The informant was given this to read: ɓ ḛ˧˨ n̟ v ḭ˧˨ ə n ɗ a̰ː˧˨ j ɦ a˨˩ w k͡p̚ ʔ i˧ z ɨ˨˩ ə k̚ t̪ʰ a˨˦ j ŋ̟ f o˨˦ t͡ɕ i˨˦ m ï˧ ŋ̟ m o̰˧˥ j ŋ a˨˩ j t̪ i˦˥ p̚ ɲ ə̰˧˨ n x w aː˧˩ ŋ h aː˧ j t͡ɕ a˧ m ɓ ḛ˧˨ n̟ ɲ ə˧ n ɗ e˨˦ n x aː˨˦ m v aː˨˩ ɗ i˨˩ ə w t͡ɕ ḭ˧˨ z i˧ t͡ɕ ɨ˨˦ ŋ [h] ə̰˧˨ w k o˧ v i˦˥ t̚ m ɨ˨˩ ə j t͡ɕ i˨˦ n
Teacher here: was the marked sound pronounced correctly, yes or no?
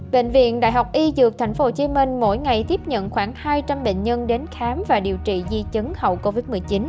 yes